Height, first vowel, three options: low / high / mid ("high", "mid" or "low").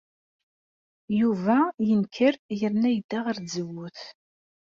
high